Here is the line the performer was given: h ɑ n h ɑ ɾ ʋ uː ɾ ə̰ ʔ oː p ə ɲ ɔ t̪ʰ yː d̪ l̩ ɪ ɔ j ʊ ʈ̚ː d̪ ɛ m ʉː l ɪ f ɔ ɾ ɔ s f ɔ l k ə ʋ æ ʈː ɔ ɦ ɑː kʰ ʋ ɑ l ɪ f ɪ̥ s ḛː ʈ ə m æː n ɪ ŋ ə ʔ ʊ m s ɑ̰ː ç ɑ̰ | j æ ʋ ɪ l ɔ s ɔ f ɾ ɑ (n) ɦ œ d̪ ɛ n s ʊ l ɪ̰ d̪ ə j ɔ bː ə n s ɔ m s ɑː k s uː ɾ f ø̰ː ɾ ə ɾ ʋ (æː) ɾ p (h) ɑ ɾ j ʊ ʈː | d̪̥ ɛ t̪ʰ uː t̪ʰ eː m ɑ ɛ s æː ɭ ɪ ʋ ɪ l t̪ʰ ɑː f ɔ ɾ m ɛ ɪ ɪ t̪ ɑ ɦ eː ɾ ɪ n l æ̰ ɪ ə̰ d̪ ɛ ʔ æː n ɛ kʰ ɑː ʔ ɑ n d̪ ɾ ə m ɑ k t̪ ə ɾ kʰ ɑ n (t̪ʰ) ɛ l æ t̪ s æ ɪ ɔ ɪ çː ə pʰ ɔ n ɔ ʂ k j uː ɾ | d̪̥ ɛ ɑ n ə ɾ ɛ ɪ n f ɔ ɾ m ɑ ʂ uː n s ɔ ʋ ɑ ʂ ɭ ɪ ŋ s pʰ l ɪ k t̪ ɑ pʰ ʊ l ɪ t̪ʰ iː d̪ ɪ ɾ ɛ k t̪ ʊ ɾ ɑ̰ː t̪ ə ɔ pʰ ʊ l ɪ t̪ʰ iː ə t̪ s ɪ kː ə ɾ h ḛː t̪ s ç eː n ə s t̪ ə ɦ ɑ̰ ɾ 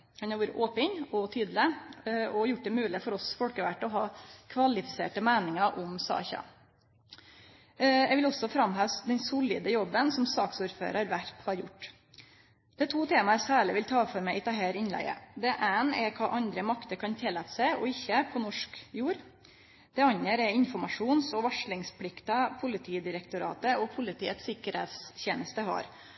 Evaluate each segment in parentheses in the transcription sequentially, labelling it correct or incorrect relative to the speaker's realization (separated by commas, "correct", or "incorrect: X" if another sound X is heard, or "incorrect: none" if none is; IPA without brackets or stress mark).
incorrect: m, incorrect: æ, correct, correct